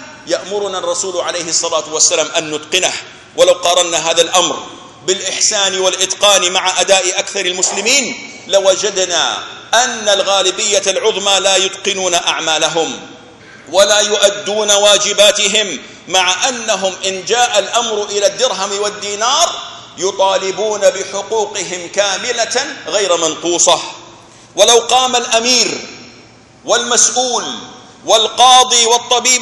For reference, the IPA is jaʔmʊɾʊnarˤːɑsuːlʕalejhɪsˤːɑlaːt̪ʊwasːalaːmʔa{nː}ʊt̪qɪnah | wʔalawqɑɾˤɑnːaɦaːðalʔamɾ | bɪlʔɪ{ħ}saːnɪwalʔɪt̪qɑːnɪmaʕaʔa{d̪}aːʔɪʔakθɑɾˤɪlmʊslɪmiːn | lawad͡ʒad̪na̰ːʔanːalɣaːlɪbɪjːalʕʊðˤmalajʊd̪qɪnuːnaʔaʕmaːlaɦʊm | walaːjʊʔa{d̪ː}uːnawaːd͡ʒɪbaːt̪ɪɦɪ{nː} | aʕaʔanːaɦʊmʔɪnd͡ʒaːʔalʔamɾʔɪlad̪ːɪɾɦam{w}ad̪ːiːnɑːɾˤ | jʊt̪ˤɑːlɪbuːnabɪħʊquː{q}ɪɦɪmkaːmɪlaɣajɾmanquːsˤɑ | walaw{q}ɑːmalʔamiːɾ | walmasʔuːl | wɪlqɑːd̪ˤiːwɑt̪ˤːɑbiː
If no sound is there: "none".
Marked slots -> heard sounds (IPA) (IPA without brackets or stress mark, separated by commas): nː, ħ, d̪, d̪ː, mː, w, q, q